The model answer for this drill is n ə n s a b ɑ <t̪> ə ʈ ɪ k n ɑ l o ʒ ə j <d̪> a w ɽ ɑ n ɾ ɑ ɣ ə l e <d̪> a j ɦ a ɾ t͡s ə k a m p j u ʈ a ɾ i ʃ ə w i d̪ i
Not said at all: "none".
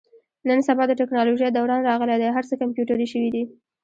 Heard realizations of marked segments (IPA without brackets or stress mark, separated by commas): d̪, d̪, d̪